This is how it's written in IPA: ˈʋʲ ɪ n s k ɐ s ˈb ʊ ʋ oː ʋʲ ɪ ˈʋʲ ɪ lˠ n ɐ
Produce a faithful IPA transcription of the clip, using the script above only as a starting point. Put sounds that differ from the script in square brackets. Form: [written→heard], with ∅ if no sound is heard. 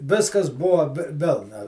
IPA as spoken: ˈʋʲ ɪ [n→∅] s k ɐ s ˈb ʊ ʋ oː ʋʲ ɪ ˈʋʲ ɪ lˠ n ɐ